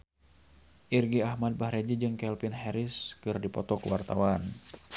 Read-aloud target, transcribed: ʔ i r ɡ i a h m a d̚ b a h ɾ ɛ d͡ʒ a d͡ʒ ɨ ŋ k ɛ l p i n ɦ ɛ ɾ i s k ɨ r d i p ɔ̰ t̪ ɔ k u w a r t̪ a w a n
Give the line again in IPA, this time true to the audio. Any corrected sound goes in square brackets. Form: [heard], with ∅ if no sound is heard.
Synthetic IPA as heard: ʔ i r ɡ i a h m a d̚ b a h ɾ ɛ d͡ʒ [i] d͡ʒ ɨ ŋ k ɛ l p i n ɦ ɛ ɾ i s k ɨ r d i p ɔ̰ t̪ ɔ k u w a r t̪ a w a n